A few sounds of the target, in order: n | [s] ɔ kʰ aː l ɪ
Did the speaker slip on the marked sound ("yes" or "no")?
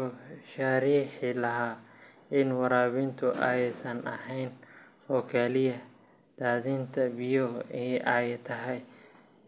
yes